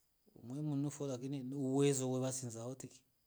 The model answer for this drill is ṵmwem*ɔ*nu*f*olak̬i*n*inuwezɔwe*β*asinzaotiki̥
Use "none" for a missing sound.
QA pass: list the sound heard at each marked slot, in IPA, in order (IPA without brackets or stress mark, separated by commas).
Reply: u, f, n, β